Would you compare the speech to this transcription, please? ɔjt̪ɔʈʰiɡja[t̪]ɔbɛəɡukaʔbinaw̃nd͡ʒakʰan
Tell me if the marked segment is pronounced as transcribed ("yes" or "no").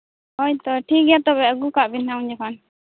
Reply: yes